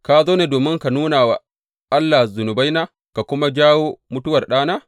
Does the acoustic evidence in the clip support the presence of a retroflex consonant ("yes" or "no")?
no